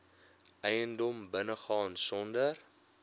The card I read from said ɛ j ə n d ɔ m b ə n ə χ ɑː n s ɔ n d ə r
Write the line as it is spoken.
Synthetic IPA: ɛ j ə n d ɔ m b ə n ə χ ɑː n s ɔ n d ə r